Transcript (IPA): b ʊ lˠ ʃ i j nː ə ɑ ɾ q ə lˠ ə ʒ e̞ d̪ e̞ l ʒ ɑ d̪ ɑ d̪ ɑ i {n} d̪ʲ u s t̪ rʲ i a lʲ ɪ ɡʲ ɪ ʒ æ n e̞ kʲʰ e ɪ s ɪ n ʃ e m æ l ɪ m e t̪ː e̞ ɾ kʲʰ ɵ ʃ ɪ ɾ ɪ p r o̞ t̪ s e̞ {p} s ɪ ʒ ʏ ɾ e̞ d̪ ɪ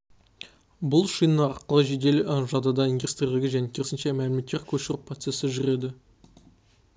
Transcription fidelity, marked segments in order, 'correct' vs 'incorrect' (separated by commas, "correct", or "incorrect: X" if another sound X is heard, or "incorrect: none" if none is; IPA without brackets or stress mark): correct, incorrect: none